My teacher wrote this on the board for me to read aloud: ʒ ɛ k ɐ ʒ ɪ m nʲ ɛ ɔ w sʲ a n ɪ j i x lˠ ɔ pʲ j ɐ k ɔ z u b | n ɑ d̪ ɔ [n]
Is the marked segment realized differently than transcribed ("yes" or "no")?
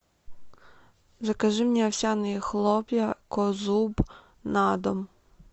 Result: yes